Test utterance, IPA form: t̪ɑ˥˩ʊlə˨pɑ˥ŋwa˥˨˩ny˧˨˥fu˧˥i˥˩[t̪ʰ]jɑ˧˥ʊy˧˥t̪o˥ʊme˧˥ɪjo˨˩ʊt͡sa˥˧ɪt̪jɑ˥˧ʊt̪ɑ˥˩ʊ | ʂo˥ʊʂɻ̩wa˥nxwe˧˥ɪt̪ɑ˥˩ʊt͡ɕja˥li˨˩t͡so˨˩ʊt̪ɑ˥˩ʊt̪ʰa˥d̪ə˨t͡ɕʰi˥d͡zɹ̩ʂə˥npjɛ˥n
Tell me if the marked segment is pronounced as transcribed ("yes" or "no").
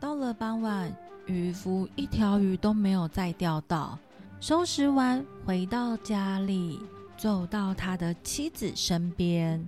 yes